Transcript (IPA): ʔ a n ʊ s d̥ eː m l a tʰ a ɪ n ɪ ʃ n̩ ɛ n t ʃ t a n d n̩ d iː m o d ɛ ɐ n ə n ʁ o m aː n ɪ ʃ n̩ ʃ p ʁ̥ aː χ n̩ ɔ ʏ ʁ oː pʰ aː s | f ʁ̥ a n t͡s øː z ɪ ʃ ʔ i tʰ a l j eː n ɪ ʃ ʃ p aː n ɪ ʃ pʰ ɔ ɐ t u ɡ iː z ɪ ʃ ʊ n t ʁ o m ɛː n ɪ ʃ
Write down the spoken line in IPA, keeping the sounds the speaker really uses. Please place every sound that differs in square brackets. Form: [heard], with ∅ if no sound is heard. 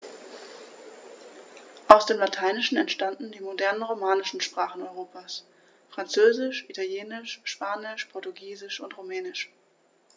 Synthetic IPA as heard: ʔ a [∅] ʊ s d̥ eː m l a tʰ a ɪ n ɪ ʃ n̩ ɛ n t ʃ t a n d n̩ d iː m o d ɛ ɐ n ə n ʁ o m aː n ɪ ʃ n̩ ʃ p ʁ̥ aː χ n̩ ɔ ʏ ʁ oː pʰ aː s | f ʁ̥ a n t͡s øː z ɪ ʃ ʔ i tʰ a l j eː n ɪ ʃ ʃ p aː n ɪ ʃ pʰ ɔ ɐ t u ɡ iː z ɪ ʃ ʊ n t ʁ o m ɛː n ɪ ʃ